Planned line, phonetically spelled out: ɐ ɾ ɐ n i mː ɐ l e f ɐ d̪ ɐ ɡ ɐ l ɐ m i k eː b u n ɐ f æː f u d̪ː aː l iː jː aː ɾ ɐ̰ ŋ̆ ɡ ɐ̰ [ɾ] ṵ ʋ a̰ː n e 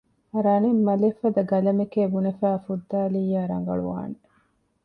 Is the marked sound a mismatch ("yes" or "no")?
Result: yes